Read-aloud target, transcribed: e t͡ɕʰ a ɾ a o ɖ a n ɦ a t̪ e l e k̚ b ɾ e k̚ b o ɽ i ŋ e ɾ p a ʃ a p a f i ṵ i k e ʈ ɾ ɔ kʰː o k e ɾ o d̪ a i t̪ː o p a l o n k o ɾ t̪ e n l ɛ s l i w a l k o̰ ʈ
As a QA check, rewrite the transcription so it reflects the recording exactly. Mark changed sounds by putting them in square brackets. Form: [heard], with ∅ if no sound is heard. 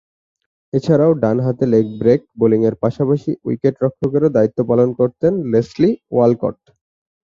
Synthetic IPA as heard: e t͡ɕʰ a ɾ a o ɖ a n ɦ a t̪ e l e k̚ b ɾ e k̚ b o [l] i ŋ e ɾ p a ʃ a p a [ʃ] i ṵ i k e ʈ ɾ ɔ kʰː o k e ɾ o d̪ a i t̪ː o p a l o n k o ɾ t̪ e n l [e] s l i w a l k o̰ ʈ